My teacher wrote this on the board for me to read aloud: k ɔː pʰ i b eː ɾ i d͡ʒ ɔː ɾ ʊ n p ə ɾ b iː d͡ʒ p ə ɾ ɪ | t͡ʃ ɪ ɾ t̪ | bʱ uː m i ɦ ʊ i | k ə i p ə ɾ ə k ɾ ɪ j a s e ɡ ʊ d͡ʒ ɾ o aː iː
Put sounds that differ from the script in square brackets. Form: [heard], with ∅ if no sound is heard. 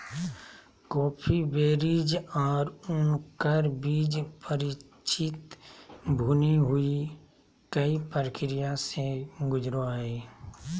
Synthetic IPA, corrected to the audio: k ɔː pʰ i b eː ɾ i d͡ʒ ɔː ɾ ʊ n [k] ə ɾ b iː d͡ʒ p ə ɾ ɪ | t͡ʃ ɪ [∅] t̪ | bʱ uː [n] i ɦ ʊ i | k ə i p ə ɾ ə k ɾ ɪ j a s e ɡ ʊ d͡ʒ ɾ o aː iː